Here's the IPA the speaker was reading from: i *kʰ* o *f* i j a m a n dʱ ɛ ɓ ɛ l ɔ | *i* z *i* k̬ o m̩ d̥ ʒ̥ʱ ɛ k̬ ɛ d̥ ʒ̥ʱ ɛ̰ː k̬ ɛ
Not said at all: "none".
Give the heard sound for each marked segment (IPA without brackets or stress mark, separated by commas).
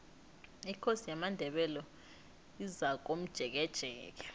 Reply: kʰ, s, i, a